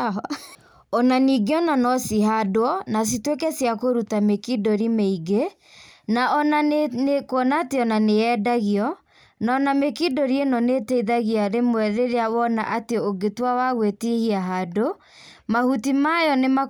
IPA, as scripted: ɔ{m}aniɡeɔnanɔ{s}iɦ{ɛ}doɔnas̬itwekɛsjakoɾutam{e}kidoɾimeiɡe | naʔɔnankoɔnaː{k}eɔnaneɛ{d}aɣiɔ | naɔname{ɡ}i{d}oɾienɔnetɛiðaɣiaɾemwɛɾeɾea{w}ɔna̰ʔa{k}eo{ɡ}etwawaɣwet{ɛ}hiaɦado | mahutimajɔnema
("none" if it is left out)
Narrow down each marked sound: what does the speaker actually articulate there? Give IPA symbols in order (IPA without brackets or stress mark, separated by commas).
n, s, a, e, t, d, k, d, w, t, ɡ, i